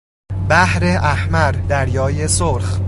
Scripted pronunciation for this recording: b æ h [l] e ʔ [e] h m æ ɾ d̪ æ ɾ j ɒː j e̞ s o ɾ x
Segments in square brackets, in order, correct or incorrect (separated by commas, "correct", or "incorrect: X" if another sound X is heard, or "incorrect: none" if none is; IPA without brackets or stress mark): incorrect: ɾ, incorrect: æ